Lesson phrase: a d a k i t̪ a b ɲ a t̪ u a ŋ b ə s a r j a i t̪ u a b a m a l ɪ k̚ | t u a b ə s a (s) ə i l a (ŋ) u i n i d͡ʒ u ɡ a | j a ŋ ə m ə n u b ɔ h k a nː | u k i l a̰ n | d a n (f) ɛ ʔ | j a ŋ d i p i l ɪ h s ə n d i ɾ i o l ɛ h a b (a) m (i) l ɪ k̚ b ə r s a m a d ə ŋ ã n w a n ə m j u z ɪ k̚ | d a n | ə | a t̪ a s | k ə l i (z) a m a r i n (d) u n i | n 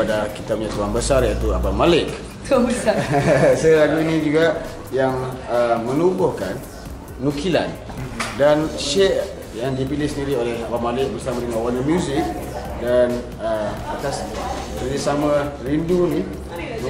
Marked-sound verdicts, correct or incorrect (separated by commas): correct, incorrect, incorrect, correct, incorrect, incorrect, correct